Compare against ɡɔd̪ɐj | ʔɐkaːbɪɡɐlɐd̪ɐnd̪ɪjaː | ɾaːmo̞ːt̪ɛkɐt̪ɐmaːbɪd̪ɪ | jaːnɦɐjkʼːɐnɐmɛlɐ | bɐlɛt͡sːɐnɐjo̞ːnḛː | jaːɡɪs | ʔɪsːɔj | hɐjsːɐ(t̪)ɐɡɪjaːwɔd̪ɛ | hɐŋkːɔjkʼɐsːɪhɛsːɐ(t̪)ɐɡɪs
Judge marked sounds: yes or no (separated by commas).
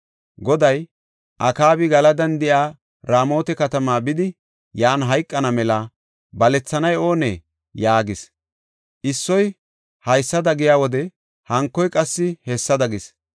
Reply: no, no